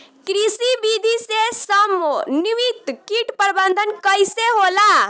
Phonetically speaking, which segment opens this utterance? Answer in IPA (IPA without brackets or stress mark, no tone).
k